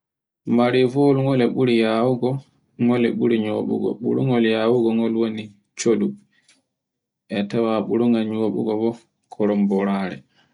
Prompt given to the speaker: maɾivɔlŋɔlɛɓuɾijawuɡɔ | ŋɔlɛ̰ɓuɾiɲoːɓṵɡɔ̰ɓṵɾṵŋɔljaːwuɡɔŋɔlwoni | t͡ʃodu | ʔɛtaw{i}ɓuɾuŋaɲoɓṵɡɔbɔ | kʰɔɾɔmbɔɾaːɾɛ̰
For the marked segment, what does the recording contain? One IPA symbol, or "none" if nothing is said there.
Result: a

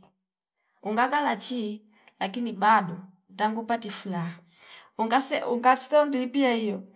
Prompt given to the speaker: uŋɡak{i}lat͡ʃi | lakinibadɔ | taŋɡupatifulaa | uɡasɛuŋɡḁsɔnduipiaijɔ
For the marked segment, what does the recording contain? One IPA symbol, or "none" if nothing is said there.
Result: a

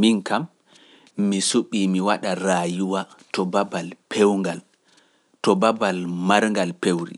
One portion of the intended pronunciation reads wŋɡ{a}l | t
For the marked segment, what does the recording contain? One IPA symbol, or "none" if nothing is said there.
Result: a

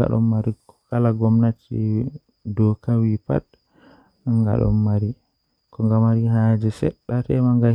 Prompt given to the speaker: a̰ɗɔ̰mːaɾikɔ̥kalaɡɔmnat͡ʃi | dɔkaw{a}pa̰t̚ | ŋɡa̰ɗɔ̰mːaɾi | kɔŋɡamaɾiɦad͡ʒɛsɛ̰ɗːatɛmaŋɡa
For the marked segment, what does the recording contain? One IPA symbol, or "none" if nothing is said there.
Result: i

